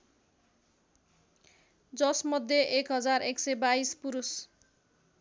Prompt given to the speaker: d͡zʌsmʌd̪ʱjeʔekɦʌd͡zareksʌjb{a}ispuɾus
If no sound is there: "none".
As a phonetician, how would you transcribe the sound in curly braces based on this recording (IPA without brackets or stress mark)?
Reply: a